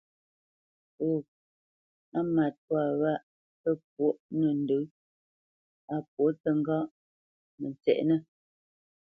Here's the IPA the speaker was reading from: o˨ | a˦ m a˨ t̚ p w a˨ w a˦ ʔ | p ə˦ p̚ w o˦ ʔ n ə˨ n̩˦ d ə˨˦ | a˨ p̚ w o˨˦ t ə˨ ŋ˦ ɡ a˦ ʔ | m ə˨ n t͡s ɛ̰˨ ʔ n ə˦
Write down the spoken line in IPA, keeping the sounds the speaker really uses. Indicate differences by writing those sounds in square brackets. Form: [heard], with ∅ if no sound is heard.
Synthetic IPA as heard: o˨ | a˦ m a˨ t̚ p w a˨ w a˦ ʔ | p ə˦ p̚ w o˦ ʔ n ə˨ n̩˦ d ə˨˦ | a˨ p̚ w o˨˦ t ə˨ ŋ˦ ɡ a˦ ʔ | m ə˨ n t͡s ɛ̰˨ ʔ n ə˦